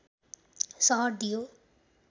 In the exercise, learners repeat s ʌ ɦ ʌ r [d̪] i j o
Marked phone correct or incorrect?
correct